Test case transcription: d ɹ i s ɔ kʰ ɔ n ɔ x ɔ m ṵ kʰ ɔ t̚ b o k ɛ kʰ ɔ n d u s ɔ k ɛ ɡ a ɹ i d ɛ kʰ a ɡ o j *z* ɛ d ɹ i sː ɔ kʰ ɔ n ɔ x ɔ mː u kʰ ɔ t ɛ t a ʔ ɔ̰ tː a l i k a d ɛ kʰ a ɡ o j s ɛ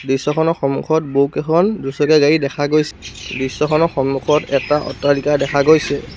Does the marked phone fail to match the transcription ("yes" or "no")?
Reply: yes